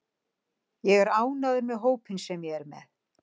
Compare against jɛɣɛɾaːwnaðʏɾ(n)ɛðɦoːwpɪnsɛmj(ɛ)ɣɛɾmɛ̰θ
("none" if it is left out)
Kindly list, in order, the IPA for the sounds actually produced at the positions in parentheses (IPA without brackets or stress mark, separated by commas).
m, ɛ